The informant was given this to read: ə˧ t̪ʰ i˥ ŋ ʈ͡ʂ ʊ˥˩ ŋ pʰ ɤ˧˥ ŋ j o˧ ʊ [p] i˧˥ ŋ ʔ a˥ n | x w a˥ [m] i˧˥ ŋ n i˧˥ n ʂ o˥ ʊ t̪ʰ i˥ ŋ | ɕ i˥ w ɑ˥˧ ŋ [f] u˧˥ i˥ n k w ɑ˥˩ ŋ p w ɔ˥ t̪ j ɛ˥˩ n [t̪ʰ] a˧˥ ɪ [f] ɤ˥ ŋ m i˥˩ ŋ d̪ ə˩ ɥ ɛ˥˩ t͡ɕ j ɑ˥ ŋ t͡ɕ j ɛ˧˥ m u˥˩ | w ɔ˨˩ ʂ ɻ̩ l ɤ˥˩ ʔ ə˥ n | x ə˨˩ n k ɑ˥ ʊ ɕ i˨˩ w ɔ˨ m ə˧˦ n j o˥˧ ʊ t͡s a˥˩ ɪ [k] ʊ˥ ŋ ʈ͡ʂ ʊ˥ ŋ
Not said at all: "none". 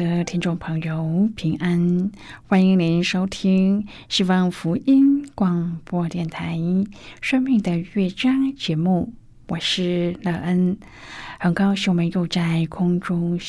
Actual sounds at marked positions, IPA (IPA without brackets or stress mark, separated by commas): pʰ, n, f, t̪ʰ, ʂ, kʰ